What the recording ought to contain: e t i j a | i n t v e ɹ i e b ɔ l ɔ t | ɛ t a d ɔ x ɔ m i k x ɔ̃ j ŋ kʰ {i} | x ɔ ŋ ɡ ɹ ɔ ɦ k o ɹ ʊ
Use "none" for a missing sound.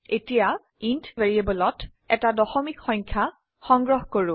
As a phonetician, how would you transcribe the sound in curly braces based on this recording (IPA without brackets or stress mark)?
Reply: a